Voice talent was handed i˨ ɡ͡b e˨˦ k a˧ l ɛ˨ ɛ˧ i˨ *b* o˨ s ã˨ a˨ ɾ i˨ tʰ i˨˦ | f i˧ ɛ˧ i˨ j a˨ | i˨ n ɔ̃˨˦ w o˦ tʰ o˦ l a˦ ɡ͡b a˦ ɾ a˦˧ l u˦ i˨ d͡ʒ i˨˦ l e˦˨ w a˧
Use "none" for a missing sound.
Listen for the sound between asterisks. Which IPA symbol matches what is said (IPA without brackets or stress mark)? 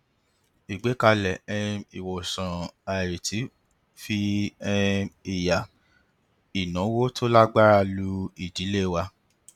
w